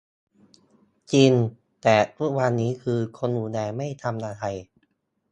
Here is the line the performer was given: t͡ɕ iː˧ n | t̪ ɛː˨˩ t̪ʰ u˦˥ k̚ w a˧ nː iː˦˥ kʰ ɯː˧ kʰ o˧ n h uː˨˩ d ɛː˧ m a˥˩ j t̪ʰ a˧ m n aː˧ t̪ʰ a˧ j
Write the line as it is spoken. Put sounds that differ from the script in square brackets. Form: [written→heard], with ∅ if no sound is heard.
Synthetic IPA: t͡ɕ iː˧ n | t̪ ɛː˨˩ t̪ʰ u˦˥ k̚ w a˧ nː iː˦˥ kʰ ɯː˧ kʰ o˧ n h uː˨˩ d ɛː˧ m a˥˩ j t̪ʰ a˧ m n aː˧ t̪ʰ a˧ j